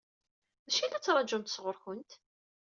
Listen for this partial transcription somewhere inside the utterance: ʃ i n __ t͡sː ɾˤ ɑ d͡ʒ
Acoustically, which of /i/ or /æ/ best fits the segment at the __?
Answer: æ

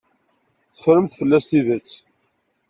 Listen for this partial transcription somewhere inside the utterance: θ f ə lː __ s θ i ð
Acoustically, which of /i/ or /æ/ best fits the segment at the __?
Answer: æ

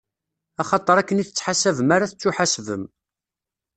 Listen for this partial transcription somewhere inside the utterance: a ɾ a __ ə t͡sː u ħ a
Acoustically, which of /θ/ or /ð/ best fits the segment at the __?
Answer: θ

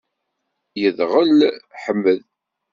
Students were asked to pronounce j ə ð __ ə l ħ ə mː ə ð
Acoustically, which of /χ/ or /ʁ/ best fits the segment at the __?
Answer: ʁ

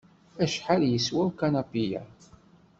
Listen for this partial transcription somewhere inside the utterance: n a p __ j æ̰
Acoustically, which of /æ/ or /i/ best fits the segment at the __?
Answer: i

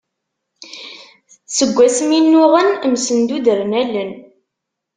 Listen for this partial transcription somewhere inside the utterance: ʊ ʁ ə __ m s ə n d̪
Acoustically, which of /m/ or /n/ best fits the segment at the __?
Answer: n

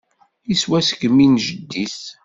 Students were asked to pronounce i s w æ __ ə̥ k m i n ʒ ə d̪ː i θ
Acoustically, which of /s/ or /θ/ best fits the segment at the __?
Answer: s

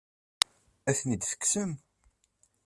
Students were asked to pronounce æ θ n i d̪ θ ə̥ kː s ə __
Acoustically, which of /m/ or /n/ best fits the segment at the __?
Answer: m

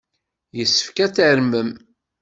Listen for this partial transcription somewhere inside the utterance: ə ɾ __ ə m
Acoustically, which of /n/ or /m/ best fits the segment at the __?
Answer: m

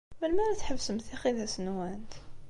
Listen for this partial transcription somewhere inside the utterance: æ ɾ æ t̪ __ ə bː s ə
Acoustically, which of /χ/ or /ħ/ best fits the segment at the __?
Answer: ħ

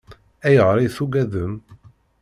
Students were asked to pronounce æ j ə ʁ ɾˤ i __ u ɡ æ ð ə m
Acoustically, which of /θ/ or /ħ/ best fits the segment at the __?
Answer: θ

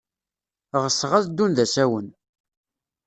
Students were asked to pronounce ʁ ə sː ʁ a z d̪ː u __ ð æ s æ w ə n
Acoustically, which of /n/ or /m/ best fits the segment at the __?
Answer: n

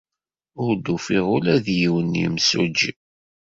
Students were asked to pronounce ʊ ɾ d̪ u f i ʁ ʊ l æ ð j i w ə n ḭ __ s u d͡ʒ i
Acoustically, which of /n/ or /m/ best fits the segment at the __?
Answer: m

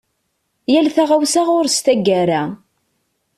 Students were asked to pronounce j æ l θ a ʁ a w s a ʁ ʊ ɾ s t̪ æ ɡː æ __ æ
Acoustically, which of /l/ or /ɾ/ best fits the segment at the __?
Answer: ɾ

